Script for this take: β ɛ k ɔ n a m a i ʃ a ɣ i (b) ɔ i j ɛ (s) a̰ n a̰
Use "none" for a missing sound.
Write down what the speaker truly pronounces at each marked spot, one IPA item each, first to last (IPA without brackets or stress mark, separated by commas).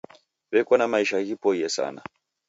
p, s